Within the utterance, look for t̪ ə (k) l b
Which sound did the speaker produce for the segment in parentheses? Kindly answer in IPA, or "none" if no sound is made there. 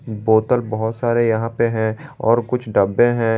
none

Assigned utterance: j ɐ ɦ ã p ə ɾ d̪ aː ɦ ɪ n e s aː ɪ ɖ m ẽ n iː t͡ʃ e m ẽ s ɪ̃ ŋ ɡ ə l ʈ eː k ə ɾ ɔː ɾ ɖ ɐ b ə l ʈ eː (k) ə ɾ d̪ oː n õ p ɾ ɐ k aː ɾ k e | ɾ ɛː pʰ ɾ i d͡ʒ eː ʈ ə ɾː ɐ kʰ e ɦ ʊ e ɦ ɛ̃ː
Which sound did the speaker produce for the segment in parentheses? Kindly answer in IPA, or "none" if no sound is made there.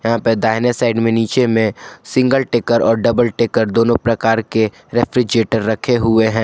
k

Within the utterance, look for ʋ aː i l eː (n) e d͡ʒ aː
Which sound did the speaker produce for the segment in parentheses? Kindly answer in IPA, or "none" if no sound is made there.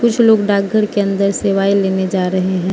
n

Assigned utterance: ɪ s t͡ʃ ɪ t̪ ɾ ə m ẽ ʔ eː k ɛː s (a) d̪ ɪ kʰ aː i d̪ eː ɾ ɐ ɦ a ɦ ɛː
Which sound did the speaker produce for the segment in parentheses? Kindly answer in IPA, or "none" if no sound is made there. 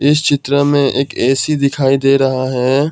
i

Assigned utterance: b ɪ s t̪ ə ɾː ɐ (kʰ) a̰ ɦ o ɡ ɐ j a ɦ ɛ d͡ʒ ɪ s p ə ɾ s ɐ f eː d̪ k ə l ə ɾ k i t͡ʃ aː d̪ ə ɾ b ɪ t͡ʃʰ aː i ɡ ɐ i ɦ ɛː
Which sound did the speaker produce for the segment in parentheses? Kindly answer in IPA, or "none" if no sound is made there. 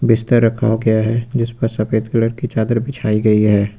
kʰ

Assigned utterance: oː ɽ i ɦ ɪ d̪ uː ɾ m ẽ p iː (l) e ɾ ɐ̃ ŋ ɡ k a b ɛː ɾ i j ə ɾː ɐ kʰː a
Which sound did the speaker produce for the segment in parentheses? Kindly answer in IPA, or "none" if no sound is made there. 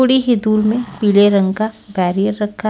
l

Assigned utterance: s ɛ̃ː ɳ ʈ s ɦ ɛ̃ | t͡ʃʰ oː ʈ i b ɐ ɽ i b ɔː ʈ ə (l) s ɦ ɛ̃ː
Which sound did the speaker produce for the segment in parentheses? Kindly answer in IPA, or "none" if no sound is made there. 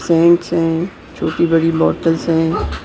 l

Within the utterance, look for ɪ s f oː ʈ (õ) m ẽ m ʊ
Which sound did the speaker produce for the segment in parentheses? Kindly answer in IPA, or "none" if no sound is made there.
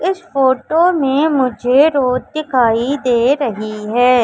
o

